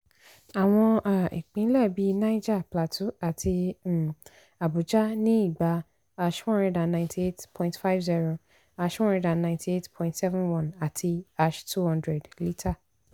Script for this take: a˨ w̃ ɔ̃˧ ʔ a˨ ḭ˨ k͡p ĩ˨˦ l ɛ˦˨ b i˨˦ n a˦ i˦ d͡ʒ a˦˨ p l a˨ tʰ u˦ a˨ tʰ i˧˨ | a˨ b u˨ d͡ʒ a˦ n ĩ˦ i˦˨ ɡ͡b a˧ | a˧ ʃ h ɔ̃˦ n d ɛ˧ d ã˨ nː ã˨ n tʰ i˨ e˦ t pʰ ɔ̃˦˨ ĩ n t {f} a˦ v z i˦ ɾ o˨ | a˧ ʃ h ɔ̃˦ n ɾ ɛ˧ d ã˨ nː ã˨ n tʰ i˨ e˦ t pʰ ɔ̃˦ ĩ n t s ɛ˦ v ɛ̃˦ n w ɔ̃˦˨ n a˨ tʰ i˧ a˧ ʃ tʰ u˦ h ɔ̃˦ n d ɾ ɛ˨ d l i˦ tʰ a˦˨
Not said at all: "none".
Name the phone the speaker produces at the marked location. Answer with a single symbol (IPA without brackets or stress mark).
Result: f